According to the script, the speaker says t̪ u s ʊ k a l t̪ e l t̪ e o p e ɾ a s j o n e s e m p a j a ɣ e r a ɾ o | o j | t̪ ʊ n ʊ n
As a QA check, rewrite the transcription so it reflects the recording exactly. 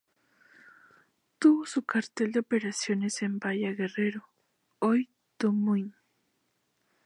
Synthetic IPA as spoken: t̪ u s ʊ k a ɾ t̪ e l d̪ e o p e ɾ a s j o n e s e m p a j a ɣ e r e ɾ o | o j | t̪ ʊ m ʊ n